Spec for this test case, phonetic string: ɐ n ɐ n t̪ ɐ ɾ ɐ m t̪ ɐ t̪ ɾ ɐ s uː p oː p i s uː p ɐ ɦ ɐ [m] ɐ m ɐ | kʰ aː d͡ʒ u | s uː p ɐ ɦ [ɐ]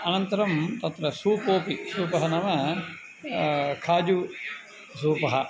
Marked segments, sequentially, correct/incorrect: incorrect: n, correct

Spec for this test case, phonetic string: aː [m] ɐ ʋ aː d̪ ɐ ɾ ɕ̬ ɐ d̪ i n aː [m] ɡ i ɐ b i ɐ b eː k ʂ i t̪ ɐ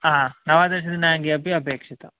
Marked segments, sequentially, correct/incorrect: incorrect: n, incorrect: ŋ

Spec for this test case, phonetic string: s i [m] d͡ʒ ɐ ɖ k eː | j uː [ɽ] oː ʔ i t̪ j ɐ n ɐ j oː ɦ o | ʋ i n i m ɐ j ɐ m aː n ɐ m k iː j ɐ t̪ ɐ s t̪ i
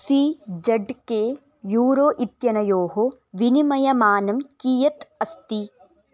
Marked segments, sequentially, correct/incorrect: incorrect: none, incorrect: ɾ

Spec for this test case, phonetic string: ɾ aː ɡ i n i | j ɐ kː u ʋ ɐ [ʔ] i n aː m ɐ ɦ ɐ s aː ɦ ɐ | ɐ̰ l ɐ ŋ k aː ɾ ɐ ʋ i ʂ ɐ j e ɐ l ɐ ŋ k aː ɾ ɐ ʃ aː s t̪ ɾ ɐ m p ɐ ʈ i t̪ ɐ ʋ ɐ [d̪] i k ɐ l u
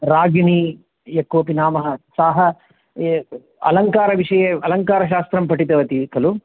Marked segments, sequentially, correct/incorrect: incorrect: p, incorrect: t̪

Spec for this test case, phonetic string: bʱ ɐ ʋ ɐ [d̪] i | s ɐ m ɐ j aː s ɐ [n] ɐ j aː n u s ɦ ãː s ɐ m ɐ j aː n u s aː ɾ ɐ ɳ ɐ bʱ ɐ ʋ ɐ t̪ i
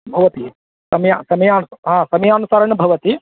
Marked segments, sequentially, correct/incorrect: incorrect: t̪, incorrect: m

